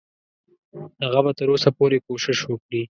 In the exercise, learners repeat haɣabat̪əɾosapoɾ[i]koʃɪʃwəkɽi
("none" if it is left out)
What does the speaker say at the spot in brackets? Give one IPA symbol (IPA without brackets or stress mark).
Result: e